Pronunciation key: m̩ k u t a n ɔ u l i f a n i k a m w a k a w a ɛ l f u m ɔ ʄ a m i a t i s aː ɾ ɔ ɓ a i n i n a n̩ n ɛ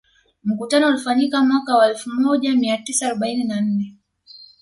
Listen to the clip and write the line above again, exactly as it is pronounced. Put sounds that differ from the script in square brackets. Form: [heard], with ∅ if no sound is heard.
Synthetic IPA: m̩ k u t a n ɔ u l i f a [ɲ] i k a m w a k a w a ɛ l f u m ɔ ʄ a m i a t i s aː ɾ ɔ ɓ a i n i n a n̩ n ɛ